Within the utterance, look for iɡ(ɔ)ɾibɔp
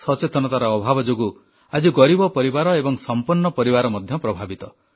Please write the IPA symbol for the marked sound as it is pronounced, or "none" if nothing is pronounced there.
ɔ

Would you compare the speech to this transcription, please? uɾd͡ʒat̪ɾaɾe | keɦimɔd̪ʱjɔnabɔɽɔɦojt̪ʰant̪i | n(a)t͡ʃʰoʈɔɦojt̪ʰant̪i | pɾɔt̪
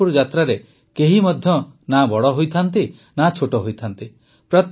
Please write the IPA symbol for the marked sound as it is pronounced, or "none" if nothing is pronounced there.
a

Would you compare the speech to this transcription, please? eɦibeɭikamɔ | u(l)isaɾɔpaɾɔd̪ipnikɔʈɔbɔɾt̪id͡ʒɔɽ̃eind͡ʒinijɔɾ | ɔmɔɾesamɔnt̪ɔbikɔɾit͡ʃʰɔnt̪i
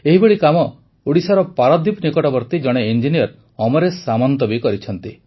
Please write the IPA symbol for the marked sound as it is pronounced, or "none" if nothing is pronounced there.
ɽ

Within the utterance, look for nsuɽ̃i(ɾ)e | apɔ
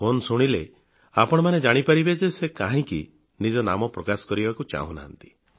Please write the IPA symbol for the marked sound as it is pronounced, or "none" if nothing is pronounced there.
l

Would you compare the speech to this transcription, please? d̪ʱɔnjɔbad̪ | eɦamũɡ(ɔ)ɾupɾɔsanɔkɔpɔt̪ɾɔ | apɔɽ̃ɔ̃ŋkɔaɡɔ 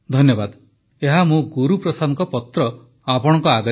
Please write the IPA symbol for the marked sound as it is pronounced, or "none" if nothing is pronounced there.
u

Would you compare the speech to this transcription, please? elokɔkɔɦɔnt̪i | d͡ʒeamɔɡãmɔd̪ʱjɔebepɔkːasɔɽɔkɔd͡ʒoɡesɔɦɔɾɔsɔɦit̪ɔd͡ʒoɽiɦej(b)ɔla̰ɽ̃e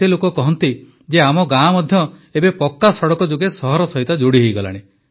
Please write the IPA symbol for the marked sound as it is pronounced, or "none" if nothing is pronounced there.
ɡ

